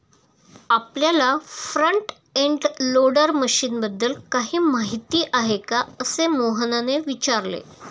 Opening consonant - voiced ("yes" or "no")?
no